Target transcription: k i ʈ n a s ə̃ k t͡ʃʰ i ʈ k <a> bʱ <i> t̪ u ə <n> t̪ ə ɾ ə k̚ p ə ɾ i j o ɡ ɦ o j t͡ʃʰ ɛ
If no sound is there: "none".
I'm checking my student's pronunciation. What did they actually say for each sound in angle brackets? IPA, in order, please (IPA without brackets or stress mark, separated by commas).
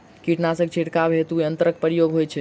a, e, n